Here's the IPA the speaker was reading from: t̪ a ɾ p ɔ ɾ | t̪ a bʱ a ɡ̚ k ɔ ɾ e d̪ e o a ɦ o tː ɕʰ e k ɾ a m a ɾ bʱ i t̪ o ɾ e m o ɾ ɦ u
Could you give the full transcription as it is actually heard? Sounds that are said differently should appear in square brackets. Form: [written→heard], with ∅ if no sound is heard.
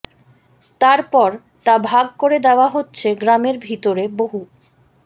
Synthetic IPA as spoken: t̪ a ɾ p ɔ ɾ | t̪ a bʱ a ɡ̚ k [ɔ→o] ɾ e d̪ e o a ɦ o tː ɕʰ e [k→ɡ] ɾ a m [a→e] ɾ bʱ i t̪ o ɾ e [m→b] o [ɾ→∅] ɦ u